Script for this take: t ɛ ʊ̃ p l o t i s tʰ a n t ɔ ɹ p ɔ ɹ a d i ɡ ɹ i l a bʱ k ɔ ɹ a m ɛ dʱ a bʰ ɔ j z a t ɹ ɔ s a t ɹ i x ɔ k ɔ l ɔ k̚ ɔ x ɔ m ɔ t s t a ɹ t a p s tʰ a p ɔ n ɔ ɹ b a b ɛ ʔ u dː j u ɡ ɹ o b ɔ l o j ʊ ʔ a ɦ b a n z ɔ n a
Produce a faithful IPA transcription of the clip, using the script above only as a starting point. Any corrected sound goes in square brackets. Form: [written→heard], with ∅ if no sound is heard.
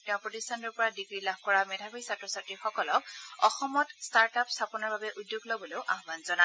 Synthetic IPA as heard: t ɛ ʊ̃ p [l→ɹ] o t i s tʰ a n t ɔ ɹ p ɔ ɹ a d i ɡ ɹ i l a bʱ k ɔ ɹ a m ɛ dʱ a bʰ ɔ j [z→s] a t ɹ ɔ s a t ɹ i x ɔ k ɔ l ɔ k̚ ɔ x ɔ m ɔ t s t a ɹ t a p s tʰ a p ɔ n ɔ ɹ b a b ɛ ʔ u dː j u ɡ [ɹ→l] o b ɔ l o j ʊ ʔ a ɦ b a n z ɔ n a